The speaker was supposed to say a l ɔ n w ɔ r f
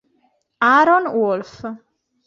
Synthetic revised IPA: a ɾ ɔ n w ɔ l f